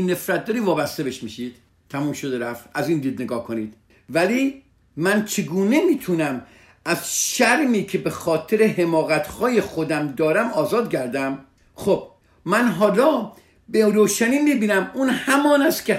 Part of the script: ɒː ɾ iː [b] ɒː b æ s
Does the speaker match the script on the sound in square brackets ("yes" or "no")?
no